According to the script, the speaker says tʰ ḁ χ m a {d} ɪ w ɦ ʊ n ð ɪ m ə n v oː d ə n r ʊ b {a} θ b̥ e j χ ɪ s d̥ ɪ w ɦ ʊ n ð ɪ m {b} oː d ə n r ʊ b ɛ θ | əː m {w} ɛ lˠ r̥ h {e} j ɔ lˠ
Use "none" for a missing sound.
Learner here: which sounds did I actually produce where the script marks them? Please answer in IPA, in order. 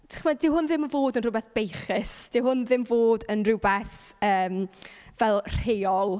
d, ɛ, v, v, e

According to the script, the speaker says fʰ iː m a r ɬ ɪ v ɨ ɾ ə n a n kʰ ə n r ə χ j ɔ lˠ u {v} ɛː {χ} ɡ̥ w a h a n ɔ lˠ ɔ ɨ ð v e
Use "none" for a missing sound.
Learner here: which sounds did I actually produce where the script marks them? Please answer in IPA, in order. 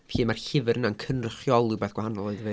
b, θ

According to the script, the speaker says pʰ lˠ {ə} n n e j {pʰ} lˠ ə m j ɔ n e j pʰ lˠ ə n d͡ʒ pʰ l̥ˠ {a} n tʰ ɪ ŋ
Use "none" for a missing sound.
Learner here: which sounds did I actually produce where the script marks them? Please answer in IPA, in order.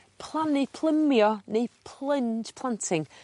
a, pʰ, a

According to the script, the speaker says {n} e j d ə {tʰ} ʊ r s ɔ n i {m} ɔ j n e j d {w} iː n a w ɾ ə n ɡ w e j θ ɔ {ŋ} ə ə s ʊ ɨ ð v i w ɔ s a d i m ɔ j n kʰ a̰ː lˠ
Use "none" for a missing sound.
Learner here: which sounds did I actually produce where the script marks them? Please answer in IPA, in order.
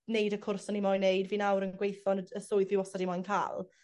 n, kʰ, m, v, n

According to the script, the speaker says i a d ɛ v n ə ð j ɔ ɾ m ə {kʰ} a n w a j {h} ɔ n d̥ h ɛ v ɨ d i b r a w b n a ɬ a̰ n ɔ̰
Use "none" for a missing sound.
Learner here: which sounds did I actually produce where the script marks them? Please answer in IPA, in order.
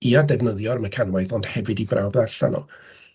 kʰ, θ

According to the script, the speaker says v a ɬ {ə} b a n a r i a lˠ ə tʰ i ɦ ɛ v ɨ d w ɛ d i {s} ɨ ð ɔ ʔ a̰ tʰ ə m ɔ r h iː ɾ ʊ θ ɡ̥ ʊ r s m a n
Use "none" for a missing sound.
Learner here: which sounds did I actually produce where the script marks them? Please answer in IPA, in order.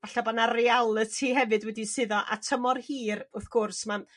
a, s

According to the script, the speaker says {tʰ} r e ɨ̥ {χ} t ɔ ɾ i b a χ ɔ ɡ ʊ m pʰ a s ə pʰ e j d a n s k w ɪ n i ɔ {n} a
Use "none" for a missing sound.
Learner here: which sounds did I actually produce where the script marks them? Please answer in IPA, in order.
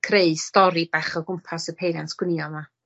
kʰ, s, m

